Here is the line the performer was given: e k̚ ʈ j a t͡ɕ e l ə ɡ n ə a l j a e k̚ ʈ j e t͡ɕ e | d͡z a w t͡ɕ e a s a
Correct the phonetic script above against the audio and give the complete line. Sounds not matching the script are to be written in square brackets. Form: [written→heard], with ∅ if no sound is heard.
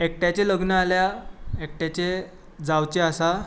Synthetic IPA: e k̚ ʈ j a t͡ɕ e l ə ɡ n ə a l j a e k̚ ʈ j [e→a] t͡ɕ e | d͡z a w t͡ɕ e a s a